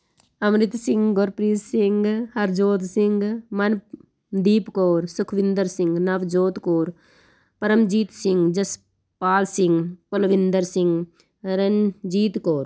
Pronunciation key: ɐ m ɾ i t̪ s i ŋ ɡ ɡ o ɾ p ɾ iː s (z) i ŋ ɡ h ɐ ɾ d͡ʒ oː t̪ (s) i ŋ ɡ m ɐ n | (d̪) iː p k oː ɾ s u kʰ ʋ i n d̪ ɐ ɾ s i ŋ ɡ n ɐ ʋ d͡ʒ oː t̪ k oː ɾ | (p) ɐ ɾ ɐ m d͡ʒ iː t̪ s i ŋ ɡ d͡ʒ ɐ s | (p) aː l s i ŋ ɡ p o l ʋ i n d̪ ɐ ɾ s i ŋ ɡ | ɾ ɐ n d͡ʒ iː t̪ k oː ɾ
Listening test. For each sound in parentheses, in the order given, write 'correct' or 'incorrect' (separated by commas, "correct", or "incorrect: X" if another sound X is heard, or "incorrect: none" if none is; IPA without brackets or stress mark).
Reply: incorrect: s, correct, correct, correct, correct